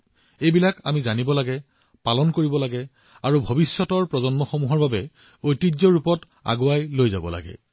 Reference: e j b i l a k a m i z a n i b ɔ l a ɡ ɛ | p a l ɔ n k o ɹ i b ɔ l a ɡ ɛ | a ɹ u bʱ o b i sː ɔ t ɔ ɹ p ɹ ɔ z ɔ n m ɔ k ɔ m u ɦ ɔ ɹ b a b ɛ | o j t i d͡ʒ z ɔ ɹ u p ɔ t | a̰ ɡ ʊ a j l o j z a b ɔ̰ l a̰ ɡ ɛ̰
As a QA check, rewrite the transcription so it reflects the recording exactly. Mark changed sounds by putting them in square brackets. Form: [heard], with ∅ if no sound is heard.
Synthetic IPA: e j b i l a k a m i z a n i b ɔ l a ɡ ɛ | p a l ɔ n k o ɹ i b ɔ l a ɡ ɛ | a ɹ u bʱ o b i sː ɔ t ɔ ɹ p ɹ ɔ z ɔ n m ɔ [x] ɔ m u ɦ ɔ ɹ b a b ɛ | o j t i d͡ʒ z ɔ ɹ u p ɔ t | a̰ ɡ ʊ a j l o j z a b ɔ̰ l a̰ ɡ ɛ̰